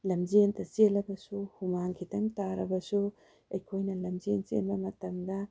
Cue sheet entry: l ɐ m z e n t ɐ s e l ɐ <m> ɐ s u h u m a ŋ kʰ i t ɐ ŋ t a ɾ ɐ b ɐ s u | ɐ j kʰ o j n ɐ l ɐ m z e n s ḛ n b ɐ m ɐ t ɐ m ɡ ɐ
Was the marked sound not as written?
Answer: yes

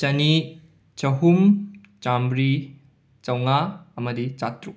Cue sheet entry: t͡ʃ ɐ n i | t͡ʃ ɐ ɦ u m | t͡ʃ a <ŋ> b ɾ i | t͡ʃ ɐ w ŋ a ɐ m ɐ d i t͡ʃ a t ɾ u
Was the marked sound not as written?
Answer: yes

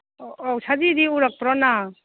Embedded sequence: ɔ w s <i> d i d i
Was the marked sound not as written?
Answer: yes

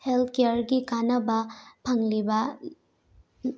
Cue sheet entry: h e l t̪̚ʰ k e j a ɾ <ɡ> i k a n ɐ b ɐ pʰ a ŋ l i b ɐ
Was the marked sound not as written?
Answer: no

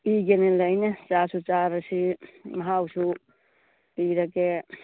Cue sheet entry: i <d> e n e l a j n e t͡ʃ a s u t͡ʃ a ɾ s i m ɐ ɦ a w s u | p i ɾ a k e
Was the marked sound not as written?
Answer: yes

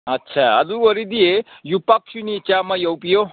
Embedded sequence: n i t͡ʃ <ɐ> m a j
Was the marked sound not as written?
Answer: yes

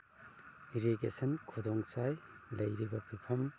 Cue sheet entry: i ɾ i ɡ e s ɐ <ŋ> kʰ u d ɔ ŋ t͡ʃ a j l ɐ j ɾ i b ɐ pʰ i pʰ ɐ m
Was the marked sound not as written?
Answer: yes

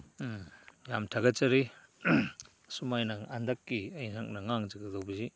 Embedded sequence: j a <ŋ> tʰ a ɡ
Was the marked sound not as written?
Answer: yes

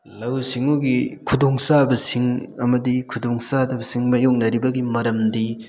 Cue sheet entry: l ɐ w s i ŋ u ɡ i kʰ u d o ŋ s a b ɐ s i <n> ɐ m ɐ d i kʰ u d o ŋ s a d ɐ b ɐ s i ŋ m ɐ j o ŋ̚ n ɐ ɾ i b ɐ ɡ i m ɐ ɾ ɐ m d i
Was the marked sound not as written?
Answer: yes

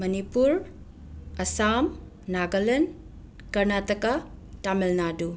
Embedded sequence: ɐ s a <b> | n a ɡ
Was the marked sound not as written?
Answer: yes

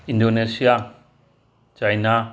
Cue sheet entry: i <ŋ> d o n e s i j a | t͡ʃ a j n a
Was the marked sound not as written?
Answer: yes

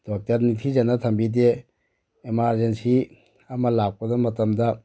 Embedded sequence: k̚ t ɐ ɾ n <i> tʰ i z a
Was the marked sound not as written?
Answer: no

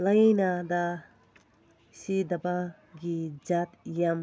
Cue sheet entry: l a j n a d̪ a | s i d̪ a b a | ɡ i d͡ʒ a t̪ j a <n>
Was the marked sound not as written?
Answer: yes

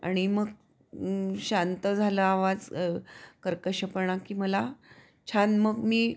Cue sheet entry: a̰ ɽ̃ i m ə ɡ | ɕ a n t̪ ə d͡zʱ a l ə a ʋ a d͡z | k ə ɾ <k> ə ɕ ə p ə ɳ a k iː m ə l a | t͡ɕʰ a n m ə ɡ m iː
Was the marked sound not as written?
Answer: no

